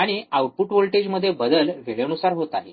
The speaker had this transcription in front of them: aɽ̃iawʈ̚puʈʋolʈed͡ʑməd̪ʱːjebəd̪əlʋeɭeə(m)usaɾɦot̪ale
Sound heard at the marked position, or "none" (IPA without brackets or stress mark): n